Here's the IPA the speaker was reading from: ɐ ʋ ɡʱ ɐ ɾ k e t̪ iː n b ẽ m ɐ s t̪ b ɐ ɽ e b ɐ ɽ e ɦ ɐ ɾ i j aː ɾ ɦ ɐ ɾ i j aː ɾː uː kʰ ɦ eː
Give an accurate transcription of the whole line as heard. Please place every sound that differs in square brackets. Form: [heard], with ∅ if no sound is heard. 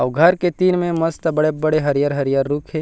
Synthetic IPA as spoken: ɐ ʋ ɡʱ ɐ ɾ k e t̪ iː n [m] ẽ m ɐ s t̪ b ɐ ɽ e b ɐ ɽ e ɦ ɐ ɾ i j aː ɾ ɦ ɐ ɾ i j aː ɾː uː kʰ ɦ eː